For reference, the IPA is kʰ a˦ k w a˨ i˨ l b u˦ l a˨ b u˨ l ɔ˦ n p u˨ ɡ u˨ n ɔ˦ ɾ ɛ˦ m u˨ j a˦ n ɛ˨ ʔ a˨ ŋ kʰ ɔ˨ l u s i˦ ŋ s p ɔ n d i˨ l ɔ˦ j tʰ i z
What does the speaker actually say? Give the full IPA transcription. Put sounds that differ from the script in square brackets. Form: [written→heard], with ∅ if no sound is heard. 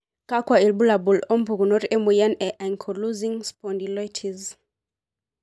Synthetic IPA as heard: [kʰ→k] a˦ k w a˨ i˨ l b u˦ l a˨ b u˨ l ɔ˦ [n→m] p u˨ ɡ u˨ n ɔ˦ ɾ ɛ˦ m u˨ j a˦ n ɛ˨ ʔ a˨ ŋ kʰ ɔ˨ l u [s→z] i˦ ŋ s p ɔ n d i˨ l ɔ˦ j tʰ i z